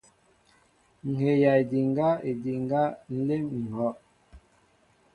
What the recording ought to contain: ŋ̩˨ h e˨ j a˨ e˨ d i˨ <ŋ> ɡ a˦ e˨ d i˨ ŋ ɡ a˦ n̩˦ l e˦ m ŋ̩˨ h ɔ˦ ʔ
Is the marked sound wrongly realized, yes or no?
no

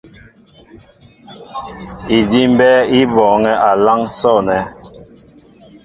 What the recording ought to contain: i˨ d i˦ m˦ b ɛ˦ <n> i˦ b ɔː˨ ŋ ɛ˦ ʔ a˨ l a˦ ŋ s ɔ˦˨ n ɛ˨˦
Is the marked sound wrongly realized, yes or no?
yes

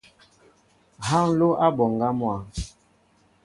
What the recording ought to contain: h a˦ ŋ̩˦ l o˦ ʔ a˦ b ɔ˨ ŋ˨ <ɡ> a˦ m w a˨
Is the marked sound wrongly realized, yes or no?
no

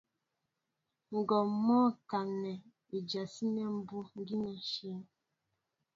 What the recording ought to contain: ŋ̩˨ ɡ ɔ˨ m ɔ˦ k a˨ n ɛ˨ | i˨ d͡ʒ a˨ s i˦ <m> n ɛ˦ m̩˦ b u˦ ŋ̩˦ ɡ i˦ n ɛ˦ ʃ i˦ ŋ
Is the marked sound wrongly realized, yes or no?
yes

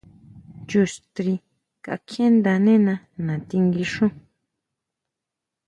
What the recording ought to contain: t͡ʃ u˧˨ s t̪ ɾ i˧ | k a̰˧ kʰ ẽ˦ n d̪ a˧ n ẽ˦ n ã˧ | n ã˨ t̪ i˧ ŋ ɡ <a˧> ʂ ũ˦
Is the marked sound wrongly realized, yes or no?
yes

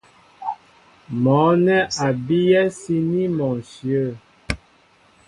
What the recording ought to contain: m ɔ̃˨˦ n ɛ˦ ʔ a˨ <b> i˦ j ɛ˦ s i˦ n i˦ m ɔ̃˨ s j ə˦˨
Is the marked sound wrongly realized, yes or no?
no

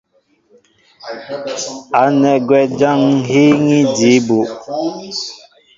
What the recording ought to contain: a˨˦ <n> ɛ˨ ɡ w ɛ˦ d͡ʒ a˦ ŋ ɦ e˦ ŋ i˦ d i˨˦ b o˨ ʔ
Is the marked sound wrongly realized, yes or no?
no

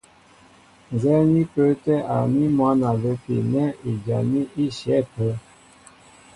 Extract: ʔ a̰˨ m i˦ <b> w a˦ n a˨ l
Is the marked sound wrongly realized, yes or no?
yes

